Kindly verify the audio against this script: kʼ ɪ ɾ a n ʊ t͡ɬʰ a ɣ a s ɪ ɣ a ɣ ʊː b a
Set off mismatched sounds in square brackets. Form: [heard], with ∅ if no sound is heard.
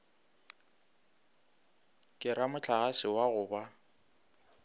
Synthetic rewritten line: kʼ ɪ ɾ a [m] ʊ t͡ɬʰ a ɣ a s ɪ [w] a ɣ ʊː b a